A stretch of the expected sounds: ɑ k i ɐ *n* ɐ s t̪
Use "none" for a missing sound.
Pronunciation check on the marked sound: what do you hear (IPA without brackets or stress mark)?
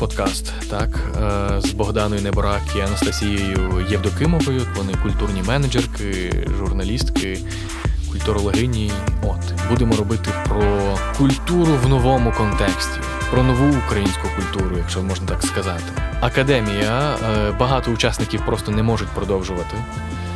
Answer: n